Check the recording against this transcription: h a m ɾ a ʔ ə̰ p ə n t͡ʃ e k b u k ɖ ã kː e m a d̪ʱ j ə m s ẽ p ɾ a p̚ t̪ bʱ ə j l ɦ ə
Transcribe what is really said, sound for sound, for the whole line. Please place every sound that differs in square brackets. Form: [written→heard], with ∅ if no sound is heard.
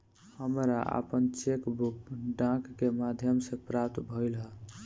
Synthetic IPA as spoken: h [a→ə] m ɾ a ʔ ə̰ p ə n t͡ʃ e k b u k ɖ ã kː e m a d̪ʱ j ə m s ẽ p ɾ a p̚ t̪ bʱ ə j l ɦ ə